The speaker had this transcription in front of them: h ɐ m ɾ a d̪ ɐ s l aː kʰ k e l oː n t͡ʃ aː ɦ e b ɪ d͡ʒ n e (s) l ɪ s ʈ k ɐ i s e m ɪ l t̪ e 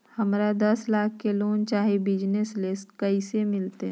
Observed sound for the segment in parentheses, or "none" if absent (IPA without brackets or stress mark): s